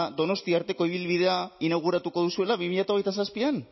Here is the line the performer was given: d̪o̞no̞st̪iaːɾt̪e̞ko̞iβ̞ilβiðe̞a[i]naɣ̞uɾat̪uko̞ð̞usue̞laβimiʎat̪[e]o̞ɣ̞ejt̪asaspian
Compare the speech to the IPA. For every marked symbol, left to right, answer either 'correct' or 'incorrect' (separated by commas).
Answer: correct, incorrect